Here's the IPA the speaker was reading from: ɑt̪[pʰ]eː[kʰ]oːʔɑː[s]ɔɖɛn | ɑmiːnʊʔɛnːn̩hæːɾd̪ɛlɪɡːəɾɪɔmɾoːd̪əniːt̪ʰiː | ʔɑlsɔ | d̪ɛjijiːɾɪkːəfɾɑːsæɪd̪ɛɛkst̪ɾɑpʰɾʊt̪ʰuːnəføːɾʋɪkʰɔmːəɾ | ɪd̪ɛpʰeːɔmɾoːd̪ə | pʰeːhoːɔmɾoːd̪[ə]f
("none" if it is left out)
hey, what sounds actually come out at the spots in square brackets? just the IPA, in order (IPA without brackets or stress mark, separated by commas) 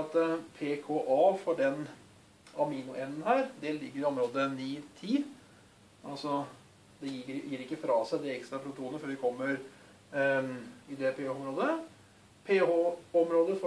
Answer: pʰ, kʰ, f, ə